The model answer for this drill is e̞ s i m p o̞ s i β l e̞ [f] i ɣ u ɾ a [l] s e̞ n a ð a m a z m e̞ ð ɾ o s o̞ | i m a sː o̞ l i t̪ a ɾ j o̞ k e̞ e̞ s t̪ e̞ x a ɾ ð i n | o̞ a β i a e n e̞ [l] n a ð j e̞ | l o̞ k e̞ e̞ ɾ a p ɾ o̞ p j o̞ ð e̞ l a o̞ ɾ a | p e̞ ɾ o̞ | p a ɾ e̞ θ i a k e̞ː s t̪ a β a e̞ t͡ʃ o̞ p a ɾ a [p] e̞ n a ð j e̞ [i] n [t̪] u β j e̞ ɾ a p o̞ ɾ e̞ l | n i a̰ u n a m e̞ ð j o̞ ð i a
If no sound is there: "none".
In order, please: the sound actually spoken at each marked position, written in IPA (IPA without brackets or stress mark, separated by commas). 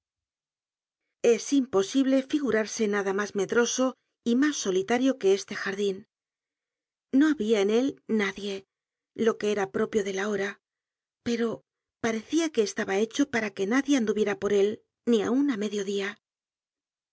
f, ɾ, l, k, a, d̪